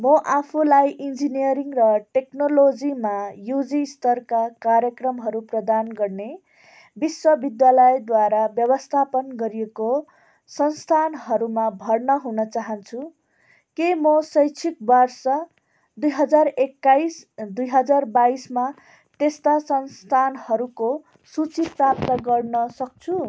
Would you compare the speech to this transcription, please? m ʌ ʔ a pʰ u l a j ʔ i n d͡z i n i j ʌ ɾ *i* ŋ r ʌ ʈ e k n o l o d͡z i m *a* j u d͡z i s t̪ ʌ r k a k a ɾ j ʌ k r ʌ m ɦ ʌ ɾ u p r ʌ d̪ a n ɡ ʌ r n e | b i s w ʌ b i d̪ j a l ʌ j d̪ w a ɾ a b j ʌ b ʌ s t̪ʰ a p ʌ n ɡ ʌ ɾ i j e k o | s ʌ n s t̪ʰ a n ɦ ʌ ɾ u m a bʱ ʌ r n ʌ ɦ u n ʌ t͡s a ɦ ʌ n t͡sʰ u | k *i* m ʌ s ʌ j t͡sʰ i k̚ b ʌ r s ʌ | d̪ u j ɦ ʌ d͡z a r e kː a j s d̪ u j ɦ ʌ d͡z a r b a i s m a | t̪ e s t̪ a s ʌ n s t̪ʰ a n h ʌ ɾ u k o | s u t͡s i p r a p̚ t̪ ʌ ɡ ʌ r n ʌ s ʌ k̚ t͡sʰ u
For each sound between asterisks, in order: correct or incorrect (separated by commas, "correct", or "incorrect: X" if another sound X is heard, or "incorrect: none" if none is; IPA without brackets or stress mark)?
correct, correct, incorrect: e